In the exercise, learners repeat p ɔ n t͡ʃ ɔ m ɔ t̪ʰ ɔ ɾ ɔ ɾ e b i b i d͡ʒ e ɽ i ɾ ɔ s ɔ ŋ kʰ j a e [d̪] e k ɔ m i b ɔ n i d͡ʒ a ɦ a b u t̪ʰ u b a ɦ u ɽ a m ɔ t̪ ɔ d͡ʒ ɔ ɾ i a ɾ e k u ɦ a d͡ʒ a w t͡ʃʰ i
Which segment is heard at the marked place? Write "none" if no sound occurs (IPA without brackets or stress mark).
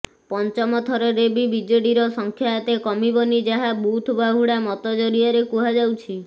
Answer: t̪